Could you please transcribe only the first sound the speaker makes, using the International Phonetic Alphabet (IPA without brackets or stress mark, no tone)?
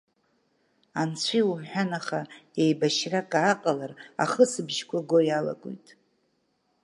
a